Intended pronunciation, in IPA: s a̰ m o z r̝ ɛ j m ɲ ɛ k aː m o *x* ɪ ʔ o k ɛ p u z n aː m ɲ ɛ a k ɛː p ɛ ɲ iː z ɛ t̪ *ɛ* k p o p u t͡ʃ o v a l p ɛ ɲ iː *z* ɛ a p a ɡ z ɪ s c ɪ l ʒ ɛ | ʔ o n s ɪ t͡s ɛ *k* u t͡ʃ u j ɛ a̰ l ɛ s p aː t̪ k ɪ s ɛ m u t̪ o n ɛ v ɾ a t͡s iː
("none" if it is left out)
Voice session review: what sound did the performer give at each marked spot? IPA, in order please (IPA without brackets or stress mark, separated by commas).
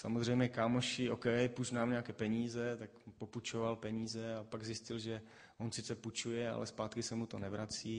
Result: ʃ, a, z, p